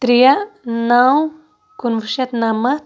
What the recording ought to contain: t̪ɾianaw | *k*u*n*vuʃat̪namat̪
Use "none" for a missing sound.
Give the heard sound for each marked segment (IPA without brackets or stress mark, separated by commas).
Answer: k, n